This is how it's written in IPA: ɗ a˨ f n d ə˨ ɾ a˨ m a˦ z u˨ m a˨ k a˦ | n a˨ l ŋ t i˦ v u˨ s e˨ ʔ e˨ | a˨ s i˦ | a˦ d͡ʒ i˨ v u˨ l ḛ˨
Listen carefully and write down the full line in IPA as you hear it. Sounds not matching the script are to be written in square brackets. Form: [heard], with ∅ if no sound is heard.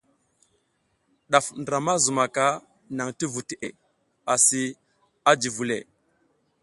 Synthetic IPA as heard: ɗ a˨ f n d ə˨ ɾ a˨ m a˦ z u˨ m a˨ k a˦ | n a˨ [∅] ŋ t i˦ v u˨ [t] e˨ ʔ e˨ | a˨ s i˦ | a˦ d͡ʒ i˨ v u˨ l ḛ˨